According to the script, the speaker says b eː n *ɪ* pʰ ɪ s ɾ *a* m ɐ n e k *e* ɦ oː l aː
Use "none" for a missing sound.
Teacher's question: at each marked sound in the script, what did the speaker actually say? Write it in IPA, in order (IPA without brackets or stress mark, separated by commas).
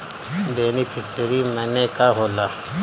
i, i, a